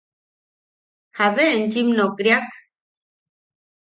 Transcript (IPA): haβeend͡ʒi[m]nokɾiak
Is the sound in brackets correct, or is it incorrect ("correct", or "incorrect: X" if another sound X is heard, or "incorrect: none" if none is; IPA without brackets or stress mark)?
correct